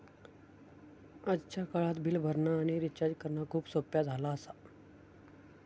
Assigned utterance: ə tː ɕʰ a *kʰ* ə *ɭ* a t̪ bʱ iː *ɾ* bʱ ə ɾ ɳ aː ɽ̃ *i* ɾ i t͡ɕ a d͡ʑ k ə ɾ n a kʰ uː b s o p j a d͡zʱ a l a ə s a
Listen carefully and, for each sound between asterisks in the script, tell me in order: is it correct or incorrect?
incorrect, correct, incorrect, correct

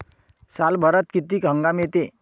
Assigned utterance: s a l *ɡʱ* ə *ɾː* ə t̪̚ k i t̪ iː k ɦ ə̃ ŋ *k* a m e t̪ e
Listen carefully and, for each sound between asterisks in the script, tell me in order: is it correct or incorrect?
incorrect, incorrect, incorrect

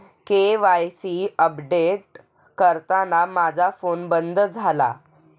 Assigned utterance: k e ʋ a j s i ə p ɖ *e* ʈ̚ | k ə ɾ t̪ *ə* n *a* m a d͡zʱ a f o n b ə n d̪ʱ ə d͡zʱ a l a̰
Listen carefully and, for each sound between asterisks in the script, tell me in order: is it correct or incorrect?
correct, incorrect, correct

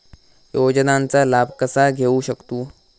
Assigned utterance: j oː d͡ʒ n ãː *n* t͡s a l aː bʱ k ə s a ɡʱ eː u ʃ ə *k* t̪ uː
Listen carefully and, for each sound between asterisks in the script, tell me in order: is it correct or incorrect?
correct, correct

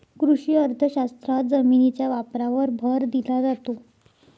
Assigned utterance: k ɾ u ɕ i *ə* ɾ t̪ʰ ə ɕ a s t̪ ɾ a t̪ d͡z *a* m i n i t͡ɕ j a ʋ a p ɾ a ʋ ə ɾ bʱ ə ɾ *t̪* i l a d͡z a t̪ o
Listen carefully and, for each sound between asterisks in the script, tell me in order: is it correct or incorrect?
correct, incorrect, incorrect

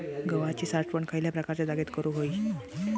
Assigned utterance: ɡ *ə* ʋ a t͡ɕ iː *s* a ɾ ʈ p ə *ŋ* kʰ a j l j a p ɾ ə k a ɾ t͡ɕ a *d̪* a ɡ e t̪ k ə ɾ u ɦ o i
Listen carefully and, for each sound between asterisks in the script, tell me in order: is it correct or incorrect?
correct, correct, incorrect, correct

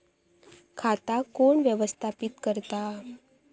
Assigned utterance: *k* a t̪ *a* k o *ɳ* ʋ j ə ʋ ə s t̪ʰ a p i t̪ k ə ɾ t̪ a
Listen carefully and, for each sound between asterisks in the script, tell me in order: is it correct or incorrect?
incorrect, correct, correct

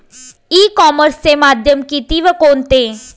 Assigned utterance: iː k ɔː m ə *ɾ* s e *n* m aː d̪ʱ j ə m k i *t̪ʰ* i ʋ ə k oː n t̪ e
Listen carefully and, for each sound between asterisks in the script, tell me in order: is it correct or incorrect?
correct, incorrect, incorrect

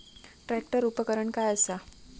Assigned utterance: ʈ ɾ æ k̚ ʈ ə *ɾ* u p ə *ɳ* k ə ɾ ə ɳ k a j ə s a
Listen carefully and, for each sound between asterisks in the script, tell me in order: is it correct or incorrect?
correct, incorrect

